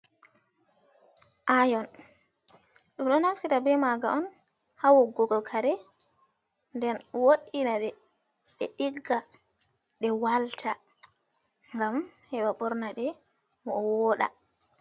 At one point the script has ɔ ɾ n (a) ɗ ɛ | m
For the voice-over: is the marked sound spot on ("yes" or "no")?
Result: yes